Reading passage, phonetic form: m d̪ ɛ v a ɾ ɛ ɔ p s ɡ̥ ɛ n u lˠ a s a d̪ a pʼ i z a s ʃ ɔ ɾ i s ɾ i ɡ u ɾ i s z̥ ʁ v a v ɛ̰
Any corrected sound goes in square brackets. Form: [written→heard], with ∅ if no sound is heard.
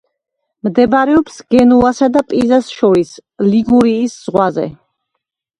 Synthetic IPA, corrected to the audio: m d̪ ɛ [v→b] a ɾ ɛ ɔ p s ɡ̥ ɛ n u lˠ a s a d̪ a pʼ i z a s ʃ ɔ ɾ i s [ɾ→l] i ɡ u ɾ [i→iː] s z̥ ʁ [v→w] a [v→z] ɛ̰

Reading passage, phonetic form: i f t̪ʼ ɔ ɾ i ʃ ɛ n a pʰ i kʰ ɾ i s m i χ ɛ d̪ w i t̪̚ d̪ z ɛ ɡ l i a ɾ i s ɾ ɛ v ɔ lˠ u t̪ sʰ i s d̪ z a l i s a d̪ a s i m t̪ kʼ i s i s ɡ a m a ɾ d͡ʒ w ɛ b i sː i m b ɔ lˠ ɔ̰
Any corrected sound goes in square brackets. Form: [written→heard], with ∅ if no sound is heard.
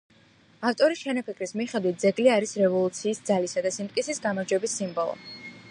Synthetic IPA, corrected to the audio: [i→a] f t̪ʼ ɔ ɾ i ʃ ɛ n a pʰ i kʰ ɾ i s m i χ ɛ d̪ w i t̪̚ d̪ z ɛ ɡ l i a ɾ i s ɾ ɛ v ɔ lˠ u t̪ sʰ [i→iː] s d̪ z a l i s a d̪ a s i m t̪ kʼ i s i s ɡ a m a ɾ d͡ʒ w ɛ b i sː i m b ɔ lˠ ɔ̰

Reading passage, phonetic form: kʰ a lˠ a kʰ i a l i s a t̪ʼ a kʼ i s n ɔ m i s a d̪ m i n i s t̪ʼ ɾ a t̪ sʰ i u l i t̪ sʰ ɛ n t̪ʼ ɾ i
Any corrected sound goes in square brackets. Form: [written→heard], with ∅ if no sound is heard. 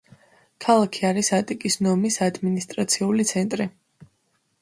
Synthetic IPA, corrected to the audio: kʰ a lˠ a kʰ i a [l→ɾ] i s a t̪ʼ [a→i] kʼ i s n ɔ m i s a d̪ m i n i s t̪ʼ ɾ a t̪ sʰ i u l i t̪ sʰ ɛ n t̪ʼ ɾ i

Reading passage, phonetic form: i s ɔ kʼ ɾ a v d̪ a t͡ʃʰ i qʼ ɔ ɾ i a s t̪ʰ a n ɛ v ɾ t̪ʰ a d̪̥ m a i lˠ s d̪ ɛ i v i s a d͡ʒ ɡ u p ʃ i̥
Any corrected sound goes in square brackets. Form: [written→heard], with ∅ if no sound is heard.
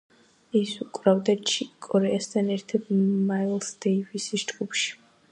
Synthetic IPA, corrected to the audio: i s [ɔ→u] kʼ ɾ a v d̪ a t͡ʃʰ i [qʼ→kʼ] ɔ ɾ [i→ɛ] a s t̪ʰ a n ɛ [v→∅] ɾ t̪ʰ a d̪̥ m a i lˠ s d̪ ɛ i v i s [a→i] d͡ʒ ɡ u p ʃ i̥

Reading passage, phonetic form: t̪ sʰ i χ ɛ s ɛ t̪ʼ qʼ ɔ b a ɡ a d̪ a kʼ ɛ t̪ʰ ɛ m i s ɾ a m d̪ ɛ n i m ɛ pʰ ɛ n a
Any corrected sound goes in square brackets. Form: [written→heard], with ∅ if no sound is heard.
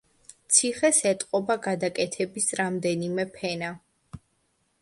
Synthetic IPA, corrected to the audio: t̪ sʰ i χ ɛ s ɛ t̪ʼ qʼ ɔ b a ɡ a d̪ a kʼ ɛ t̪ʰ ɛ [m→b] i s ɾ a m d̪ ɛ n i m ɛ pʰ ɛ n a

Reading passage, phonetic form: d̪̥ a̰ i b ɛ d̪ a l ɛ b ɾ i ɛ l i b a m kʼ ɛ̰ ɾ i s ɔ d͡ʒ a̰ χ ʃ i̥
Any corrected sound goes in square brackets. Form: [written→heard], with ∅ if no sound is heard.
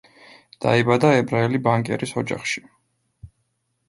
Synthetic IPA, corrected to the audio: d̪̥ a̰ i b [ɛ→a] d̪ a [l→∅] ɛ b ɾ [i→a] ɛ l i b a [m→ŋ] kʼ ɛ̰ ɾ i s ɔ d͡ʒ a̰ χ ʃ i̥

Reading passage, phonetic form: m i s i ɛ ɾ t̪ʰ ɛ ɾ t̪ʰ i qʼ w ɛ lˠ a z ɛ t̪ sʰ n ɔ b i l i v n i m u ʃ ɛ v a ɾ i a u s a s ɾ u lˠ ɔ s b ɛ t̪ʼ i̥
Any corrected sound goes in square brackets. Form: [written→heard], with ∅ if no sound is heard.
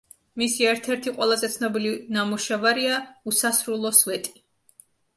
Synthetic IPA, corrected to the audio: m i s i ɛ ɾ t̪ʰ ɛ ɾ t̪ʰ i qʼ w ɛ lˠ a z ɛ t̪ sʰ n ɔ b i l i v n [i→a] m u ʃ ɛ v a ɾ i a u s a s ɾ u lˠ ɔ s [b→v] ɛ t̪ʼ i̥

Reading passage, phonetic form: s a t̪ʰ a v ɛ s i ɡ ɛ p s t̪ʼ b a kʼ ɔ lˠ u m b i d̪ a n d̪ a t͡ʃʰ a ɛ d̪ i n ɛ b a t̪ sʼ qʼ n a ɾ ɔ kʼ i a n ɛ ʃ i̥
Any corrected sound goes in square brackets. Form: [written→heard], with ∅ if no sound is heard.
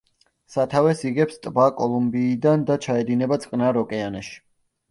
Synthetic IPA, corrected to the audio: s a t̪ʰ a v ɛ s i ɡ ɛ p s t̪ʼ b a kʼ ɔ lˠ u m b [i→iː] d̪ a n d̪ a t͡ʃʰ a ɛ d̪ i n ɛ b a t̪ sʼ qʼ n a ɾ ɔ kʼ [i→ɛ] a n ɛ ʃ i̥

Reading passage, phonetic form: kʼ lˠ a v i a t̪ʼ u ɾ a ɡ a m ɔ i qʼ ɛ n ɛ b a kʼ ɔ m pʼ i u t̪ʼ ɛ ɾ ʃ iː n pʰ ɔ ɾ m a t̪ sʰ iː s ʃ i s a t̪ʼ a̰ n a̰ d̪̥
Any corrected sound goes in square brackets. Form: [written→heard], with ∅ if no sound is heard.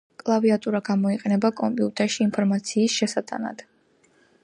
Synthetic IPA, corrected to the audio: kʼ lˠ a v i a t̪ʼ u ɾ a ɡ a m ɔ i qʼ ɛ n ɛ b a kʼ ɔ m pʼ i u t̪ʼ ɛ ɾ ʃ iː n pʰ ɔ ɾ m a t̪ sʰ iː s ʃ [i→ɛ] s a t̪ʼ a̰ n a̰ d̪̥

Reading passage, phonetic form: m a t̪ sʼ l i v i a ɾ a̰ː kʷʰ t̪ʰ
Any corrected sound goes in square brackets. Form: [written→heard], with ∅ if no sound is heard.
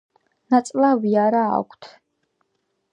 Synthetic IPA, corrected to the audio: [m→n] a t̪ sʼ l [i→a] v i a ɾ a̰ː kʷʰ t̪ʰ

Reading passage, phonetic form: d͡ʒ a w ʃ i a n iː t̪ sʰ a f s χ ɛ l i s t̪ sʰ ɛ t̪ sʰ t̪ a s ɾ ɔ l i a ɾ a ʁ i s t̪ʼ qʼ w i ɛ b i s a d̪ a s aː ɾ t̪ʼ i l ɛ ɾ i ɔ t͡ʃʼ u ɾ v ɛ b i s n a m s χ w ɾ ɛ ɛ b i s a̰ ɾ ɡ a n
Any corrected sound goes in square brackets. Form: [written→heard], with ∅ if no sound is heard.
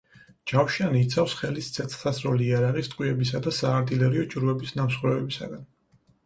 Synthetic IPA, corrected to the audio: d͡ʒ a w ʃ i a n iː t̪ sʰ a f s χ ɛ l i s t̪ sʰ ɛ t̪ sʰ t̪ a s ɾ ɔ l i a ɾ a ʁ i s t̪ʼ qʼ w i ɛ b i s a d̪ a s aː ɾ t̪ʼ i l ɛ ɾ i ɔ t͡ʃʼ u ɾ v ɛ b i s n a m s χ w ɾ ɛ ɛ b i s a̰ [ɾ→∅] ɡ a n

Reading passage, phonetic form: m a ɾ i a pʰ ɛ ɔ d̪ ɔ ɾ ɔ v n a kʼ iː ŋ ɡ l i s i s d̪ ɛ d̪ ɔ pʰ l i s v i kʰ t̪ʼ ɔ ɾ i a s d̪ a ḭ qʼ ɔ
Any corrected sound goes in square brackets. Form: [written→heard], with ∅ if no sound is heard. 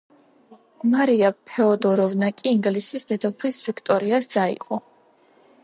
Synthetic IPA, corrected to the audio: m a ɾ i a pʰ ɛ ɔ d̪ ɔ ɾ ɔ v n a kʼ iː ŋ ɡ l i s i s d̪ ɛ d̪ ɔ pʰ l i s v i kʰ t̪ʼ ɔ ɾ i a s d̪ a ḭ qʼ ɔ

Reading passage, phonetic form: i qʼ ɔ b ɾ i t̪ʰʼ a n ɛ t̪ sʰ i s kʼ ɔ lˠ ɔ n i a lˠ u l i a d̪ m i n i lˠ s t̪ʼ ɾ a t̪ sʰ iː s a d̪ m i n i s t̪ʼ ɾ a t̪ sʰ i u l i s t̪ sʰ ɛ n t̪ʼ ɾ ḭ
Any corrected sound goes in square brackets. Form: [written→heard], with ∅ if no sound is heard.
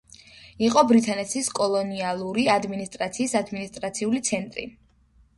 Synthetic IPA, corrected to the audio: i qʼ ɔ b ɾ i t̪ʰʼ a n ɛ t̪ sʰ i s kʼ ɔ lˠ ɔ n i a lˠ u [l→ɾ] i a d̪ m i n i [lˠ→∅] s t̪ʼ ɾ a t̪ sʰ iː s a d̪ m i n i s t̪ʼ ɾ a t̪ sʰ i u l i [s→∅] t̪ sʰ ɛ n t̪ʼ ɾ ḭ

